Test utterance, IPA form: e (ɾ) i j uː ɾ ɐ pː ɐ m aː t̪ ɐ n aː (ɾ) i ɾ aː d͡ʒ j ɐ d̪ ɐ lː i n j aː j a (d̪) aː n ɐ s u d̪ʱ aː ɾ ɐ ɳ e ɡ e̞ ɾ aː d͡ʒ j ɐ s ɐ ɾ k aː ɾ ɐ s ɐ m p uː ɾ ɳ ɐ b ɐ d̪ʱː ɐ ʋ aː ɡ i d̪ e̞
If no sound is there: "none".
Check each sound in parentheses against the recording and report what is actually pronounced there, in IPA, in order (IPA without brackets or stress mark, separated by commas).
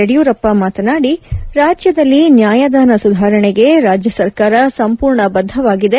ɽ, ɽ, d̪